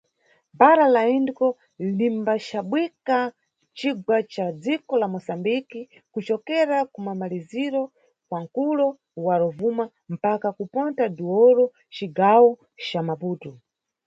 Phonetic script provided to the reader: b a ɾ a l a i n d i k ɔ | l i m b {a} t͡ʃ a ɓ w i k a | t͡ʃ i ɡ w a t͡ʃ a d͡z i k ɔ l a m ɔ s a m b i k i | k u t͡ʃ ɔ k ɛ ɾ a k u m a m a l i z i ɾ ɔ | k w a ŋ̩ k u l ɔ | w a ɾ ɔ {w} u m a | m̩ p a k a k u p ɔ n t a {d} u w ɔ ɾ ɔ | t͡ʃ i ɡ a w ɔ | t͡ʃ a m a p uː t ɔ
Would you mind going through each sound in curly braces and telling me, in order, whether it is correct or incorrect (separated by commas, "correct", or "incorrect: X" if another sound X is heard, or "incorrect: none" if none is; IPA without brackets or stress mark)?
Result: correct, incorrect: v, correct